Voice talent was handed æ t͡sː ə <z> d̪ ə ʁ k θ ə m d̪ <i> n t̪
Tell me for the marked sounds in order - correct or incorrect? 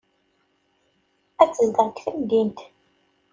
correct, correct

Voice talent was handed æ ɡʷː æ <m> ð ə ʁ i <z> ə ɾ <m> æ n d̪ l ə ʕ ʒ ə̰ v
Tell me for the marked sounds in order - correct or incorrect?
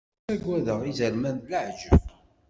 incorrect: none, correct, correct

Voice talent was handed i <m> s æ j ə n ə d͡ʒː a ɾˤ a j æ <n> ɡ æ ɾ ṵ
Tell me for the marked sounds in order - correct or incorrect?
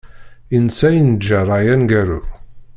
incorrect: n, correct

